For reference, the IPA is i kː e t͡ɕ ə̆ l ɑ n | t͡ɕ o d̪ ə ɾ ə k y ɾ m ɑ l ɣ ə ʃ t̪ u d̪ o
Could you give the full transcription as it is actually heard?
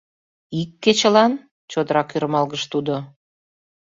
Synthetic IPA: i kː e t͡ɕ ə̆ l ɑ n | t͡ɕ o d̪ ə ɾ ɑ k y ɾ m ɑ l ɣ ə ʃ t̪ u d̪ o